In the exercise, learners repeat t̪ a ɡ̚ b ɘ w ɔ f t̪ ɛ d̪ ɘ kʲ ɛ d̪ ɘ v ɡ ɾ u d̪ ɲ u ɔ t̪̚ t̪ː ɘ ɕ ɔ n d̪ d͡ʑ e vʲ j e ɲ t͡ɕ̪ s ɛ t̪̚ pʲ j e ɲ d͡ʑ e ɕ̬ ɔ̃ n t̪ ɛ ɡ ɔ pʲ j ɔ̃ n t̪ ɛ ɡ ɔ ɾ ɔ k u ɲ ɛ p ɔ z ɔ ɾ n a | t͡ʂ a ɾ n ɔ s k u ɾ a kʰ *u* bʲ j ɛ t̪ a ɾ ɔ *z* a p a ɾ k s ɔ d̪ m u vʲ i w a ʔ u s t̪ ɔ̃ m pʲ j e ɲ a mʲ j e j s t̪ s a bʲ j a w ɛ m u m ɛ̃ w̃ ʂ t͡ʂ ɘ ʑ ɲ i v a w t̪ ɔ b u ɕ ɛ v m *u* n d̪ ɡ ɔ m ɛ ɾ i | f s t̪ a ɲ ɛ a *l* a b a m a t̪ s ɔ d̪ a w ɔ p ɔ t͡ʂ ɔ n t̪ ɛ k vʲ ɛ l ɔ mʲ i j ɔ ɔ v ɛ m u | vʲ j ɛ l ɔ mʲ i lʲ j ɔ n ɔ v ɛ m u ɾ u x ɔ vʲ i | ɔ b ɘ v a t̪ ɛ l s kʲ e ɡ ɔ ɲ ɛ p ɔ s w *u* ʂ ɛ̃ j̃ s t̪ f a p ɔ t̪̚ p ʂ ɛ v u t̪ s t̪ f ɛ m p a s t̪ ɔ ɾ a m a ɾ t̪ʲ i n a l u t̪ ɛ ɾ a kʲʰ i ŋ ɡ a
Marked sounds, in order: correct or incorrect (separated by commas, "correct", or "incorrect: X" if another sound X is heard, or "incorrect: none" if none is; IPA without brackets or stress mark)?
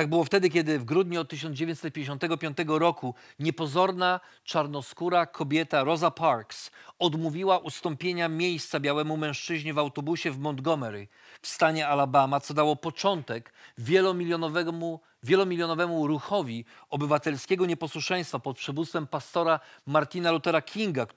incorrect: ɔ, correct, incorrect: ɔ, correct, correct